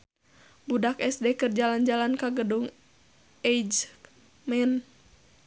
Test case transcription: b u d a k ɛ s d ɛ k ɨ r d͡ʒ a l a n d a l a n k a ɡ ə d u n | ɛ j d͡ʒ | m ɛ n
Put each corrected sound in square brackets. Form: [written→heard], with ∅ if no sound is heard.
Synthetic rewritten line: b u d a k ɛ s d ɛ k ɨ r d͡ʒ a l a n [d→d͡ʒ] a l a n k a ɡ ə d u [n→ŋ] | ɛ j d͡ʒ | m ɛ n